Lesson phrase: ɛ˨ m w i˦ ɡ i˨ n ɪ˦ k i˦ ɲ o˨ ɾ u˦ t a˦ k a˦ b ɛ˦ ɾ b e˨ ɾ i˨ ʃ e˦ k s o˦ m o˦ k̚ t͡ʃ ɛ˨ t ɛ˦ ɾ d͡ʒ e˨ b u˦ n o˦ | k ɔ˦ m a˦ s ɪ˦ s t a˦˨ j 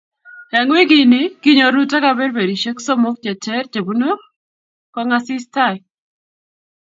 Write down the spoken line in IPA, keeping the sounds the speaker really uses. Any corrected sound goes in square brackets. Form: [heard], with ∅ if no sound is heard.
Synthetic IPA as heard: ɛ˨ [ŋ] w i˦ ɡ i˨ n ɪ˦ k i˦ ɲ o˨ ɾ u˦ t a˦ k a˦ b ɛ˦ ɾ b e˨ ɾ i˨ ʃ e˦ k s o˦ m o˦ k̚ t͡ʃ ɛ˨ t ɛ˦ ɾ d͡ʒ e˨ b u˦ n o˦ | k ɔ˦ [ŋ] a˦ s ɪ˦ s t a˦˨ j